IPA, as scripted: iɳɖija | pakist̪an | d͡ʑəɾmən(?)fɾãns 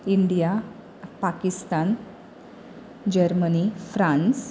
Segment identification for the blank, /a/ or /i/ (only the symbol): i